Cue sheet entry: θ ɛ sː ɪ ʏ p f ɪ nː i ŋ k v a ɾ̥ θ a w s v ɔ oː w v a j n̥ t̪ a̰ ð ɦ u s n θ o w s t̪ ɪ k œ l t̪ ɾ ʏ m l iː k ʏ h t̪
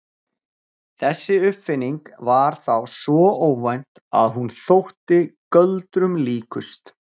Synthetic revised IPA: θ ɛ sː ɪ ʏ p f ɪ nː i ŋ k v a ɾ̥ θ a w s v ɔ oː w v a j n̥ t̪ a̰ ð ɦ u n θ o w h t̪ ɪ k œ l t̪ ɾ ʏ m l iː k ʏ s t̪